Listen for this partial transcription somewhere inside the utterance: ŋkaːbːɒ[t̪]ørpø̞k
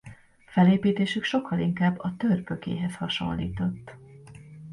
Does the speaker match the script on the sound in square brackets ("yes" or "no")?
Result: yes